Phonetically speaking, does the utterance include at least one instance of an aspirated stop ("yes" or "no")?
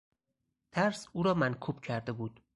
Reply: yes